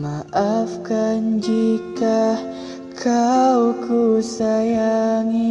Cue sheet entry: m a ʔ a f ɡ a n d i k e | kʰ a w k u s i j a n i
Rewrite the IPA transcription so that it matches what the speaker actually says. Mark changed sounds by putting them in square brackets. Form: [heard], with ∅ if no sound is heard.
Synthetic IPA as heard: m a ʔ a f [k] a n [d͡ʒ] i k [a] | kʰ a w k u s [a] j a [ŋ] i